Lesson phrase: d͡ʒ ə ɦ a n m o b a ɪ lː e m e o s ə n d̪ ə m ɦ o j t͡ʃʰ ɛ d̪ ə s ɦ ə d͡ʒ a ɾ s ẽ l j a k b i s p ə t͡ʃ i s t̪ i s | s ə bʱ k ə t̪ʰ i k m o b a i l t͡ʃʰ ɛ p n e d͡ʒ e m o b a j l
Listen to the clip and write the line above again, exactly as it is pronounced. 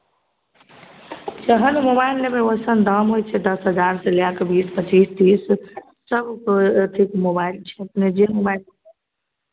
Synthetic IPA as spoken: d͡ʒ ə ɦ ə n m o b a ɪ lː e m e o s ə n d̪ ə m ɦ o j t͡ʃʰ ɛ d̪ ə s ɦ ə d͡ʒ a ɾ s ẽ l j a k b i s p ə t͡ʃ i s t̪ i s | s ə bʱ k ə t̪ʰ i k m o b a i l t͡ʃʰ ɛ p n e d͡ʒ e m o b a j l